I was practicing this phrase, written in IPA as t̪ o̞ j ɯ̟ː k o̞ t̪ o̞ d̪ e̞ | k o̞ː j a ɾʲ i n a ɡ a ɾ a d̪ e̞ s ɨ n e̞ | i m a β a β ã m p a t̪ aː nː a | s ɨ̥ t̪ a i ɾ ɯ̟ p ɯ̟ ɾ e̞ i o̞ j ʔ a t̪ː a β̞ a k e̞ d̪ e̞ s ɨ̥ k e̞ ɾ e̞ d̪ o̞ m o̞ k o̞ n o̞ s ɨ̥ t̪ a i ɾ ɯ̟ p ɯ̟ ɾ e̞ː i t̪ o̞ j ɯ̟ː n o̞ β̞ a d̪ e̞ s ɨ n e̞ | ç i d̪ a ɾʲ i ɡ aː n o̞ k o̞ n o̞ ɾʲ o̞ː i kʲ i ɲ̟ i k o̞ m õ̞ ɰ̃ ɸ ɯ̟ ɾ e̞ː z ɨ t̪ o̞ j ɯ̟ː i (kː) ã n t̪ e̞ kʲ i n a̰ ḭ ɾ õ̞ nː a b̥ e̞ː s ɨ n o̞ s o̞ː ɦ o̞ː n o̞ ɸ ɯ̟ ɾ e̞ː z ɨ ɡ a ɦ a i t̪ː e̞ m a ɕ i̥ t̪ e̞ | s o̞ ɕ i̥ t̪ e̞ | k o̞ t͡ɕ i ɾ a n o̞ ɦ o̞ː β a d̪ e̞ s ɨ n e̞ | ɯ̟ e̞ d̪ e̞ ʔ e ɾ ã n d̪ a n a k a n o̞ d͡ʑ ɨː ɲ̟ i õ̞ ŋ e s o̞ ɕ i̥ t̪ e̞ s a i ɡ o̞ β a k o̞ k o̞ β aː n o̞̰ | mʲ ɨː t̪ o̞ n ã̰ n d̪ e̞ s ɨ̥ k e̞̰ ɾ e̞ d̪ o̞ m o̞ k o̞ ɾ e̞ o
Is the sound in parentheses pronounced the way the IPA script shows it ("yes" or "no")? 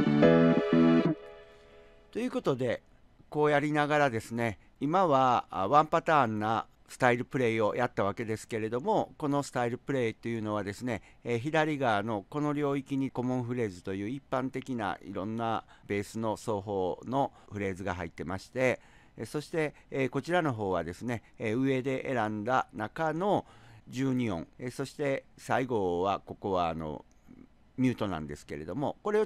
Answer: no